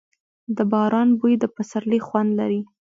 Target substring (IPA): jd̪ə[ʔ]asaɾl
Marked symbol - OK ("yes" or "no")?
no